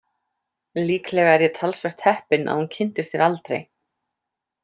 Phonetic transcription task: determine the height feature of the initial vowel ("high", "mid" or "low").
high